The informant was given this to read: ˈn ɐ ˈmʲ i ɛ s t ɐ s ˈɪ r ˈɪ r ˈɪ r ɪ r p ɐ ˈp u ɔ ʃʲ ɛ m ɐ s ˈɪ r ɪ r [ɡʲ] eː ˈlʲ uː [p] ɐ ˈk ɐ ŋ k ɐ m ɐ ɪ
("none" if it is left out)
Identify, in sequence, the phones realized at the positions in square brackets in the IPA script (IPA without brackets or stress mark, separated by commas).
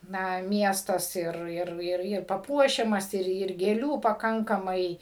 ɡʲ, p